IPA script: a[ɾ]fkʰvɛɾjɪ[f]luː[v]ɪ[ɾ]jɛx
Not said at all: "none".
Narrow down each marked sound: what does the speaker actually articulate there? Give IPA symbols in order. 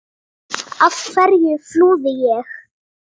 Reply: none, f, ð, none

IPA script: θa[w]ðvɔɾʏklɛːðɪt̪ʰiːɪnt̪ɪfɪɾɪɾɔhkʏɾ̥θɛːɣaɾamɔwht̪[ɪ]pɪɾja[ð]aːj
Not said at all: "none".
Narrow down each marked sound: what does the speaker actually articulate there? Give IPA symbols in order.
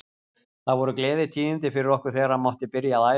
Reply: none, ɪ, ð

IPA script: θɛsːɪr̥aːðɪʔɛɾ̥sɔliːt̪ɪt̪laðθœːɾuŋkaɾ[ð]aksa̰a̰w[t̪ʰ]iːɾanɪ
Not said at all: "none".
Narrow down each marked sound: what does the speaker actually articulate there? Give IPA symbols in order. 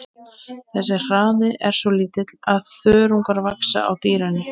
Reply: v, t̪

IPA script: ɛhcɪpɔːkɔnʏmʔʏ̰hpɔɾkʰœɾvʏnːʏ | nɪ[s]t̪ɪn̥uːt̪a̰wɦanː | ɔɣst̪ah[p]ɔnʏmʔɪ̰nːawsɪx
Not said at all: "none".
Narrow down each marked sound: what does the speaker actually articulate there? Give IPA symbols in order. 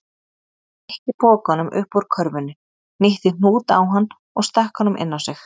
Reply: h, k

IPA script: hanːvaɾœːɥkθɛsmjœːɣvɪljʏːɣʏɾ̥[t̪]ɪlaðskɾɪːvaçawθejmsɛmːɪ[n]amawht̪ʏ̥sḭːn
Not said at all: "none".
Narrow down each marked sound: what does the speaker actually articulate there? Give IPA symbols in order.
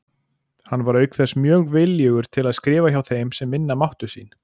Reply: t̪ʰ, nː

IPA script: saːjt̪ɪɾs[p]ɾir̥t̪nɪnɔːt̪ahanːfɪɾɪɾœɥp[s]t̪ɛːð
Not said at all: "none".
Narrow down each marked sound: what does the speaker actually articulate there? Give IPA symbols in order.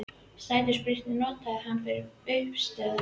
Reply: p, s

